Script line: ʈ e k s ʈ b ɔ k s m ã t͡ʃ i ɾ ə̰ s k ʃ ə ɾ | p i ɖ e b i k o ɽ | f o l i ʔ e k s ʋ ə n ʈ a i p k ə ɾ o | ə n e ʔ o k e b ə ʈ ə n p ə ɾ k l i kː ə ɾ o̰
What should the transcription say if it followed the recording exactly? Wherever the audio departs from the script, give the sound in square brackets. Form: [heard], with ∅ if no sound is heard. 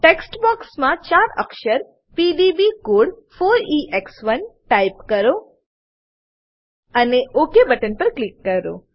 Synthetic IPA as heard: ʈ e k s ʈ b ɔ k s m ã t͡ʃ [a] ɾ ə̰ [∅] k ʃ ə ɾ | p i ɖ [i] b i k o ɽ | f o [ɾ] i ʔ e k s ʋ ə n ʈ a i p k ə ɾ o | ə n e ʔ o k e b ə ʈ ə n p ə ɾ k l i kː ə ɾ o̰